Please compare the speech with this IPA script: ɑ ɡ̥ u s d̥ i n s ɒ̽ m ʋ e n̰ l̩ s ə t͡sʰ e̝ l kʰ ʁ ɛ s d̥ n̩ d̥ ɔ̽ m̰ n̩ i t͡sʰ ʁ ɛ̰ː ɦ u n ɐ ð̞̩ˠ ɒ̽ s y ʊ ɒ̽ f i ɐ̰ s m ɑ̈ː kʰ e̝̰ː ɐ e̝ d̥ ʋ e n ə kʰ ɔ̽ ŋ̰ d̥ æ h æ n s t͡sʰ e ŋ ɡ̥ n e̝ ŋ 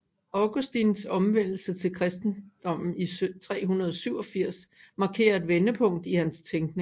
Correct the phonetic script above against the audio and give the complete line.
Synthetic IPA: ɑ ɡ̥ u s d̥ i n s ɒ̽ m ʋ e n̰ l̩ s ə t͡sʰ e̝ l kʰ ʁ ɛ s d̥ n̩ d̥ ɒ̽ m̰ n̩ i t͡sʰ ʁ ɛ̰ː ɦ u n ɐ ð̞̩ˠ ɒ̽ s y ʊ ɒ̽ f i ɐ̰ s m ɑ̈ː kʰ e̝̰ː ɐ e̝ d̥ ʋ e n ə pʰ ɔ̽ ŋ̰ d̥ i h æ n s t͡sʰ e ŋ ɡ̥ n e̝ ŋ